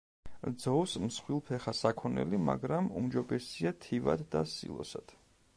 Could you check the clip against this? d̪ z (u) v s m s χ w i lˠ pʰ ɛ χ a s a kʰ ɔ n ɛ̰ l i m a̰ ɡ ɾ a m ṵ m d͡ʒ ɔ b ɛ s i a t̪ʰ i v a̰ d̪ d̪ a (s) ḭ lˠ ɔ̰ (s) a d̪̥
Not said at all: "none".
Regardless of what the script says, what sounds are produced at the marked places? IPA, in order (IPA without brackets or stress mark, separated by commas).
ɔ, s, s